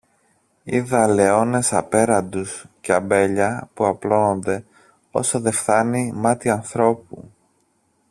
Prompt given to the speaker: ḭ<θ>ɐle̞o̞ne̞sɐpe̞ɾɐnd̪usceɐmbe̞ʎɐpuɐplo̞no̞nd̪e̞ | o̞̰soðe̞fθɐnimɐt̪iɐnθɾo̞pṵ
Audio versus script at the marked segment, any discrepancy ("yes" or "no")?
yes